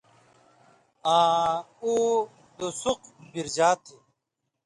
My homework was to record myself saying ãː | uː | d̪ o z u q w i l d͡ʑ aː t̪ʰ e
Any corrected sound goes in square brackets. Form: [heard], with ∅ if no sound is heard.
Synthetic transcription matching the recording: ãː | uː | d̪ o [s] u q [b] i [ɾ] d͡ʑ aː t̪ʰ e